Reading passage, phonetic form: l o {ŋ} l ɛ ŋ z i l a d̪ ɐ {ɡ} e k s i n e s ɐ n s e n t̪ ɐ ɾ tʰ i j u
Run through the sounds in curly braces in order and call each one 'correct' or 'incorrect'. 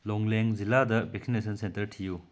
correct, incorrect

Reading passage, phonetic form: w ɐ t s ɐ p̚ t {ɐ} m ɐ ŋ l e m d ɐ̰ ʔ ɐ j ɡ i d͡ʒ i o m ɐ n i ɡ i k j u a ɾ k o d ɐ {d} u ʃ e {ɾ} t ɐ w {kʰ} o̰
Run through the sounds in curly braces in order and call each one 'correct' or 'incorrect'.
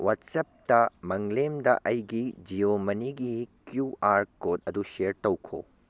correct, correct, correct, correct

